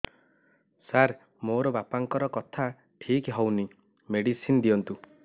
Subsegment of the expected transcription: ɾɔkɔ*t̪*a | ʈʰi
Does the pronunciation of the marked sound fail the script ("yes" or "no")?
yes